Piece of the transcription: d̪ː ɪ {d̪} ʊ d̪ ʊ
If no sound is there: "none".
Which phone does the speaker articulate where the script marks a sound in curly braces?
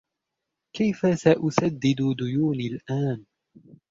d̪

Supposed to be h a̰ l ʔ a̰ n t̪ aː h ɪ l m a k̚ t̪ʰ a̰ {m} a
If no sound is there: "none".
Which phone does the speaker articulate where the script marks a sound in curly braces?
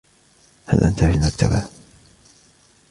b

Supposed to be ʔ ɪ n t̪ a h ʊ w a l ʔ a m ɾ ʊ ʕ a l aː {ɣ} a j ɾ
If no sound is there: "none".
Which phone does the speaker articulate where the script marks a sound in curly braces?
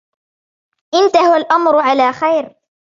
x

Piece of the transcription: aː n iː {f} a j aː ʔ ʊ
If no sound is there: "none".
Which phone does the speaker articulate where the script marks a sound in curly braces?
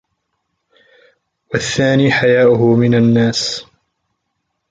ħ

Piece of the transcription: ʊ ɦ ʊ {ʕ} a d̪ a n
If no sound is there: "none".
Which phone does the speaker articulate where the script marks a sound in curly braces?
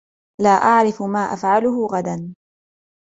ɣ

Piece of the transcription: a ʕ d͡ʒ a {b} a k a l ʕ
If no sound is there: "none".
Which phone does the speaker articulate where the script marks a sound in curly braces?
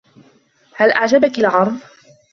b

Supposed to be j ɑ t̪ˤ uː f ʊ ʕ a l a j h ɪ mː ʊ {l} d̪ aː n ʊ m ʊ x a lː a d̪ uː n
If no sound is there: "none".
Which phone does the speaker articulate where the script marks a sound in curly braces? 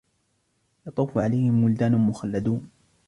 l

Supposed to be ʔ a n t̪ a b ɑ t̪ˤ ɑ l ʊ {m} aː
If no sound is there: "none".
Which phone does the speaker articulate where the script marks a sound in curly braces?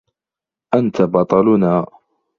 n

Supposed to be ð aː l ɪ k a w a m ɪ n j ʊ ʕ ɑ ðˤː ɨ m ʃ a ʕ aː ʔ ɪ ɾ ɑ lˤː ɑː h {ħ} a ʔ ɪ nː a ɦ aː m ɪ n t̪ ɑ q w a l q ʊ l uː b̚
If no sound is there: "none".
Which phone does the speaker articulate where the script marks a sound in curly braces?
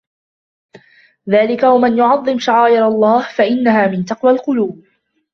f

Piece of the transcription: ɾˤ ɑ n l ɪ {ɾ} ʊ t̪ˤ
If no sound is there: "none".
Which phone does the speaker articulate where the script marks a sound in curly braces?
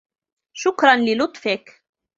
l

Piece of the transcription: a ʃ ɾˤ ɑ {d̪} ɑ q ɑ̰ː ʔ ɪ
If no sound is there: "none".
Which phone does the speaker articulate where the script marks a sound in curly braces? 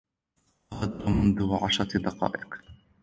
d̪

